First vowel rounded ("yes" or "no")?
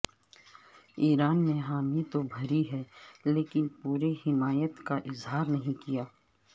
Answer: no